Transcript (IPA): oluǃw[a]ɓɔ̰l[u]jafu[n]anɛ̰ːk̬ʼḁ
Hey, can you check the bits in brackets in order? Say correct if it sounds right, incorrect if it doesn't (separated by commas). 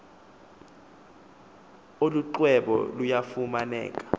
incorrect, correct, incorrect